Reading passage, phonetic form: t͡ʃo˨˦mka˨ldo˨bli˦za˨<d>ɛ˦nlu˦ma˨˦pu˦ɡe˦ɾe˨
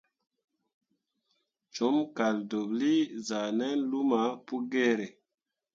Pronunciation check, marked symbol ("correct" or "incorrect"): incorrect